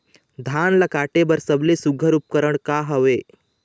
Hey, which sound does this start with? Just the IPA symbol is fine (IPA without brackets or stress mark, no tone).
d̪ʱ